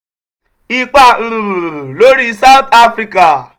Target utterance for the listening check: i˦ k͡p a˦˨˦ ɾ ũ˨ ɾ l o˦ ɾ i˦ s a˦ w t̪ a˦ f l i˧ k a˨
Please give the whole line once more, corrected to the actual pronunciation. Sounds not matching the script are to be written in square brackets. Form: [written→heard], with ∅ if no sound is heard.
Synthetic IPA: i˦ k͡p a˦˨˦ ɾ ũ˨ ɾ l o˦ ɾ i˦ s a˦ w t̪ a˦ f [l→ɾ] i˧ k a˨